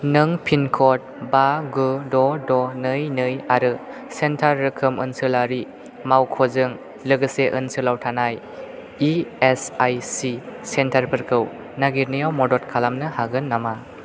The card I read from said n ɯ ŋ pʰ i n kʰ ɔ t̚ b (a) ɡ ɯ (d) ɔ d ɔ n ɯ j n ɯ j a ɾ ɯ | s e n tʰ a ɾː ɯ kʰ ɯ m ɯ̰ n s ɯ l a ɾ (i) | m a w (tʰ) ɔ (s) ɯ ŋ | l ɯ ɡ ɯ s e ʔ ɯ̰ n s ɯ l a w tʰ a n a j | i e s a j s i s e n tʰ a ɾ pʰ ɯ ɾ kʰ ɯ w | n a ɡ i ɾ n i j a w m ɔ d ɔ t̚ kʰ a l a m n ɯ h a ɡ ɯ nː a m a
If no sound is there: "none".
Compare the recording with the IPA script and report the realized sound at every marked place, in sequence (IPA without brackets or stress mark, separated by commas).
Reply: a, d, i, kʰ, z